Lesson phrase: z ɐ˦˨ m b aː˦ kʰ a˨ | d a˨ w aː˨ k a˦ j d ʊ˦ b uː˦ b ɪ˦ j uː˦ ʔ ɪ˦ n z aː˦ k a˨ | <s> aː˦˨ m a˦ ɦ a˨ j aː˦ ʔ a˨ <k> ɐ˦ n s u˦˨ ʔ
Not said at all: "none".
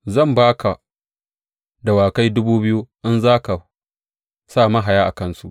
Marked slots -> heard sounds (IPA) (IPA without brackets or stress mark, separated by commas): s, k